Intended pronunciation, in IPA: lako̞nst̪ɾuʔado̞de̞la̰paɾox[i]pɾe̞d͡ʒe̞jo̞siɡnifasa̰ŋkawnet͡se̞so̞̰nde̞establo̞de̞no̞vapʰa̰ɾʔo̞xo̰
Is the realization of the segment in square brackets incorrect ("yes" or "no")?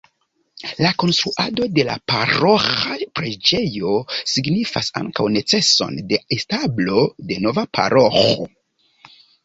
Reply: yes